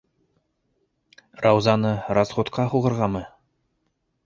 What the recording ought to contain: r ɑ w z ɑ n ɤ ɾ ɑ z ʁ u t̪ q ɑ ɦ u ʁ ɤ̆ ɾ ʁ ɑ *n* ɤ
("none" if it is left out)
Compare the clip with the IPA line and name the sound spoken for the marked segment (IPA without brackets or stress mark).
m